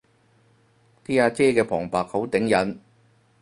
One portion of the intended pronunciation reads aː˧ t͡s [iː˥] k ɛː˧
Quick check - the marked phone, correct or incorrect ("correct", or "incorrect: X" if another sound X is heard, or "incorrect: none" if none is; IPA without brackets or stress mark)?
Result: incorrect: ɛː˥